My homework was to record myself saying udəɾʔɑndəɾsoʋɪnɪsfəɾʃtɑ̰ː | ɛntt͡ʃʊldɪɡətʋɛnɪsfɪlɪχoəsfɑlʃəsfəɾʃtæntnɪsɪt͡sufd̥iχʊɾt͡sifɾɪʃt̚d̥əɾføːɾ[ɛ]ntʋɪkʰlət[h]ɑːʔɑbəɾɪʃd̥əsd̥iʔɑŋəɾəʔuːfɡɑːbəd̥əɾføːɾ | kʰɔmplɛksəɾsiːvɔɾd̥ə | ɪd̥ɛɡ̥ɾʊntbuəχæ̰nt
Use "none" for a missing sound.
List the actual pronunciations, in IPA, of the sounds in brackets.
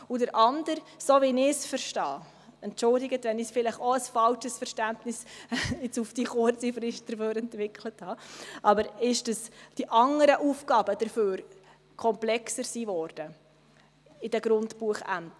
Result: ɛ, h

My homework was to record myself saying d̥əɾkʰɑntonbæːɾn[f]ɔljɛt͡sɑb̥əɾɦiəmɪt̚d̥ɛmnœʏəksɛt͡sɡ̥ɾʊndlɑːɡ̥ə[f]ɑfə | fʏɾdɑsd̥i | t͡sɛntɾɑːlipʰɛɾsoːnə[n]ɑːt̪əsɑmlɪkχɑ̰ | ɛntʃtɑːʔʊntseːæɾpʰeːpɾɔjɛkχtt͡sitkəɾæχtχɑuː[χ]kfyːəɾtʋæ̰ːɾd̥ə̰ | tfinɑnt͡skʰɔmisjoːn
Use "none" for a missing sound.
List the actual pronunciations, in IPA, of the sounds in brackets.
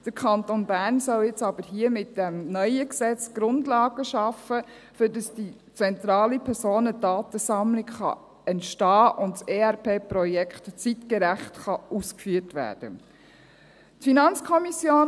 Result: s, ʃ, d, s

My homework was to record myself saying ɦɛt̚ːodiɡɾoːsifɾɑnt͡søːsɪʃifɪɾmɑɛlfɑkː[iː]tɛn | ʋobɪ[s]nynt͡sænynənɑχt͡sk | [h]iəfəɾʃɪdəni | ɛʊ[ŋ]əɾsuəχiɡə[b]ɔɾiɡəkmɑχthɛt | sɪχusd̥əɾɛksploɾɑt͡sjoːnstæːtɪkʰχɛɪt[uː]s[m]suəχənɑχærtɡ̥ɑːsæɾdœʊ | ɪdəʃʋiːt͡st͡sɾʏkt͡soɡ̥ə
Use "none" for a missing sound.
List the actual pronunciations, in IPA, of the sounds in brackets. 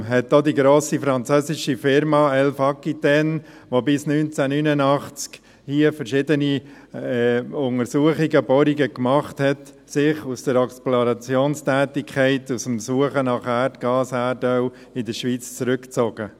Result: i, s, h, ŋ, b, u, m

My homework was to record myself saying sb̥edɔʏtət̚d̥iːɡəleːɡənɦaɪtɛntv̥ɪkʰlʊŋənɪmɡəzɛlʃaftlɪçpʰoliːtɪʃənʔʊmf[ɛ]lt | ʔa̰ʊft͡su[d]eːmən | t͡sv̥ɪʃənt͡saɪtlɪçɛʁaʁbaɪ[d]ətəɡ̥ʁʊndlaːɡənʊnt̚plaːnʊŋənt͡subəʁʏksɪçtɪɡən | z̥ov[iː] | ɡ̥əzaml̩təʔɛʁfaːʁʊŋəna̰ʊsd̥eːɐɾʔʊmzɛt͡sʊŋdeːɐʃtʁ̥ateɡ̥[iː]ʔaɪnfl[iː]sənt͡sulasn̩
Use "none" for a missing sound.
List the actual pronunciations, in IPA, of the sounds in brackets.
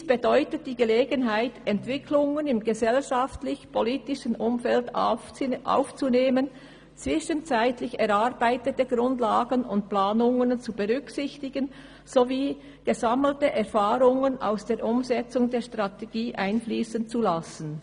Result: ɛ, n, t, iː, iː, iː

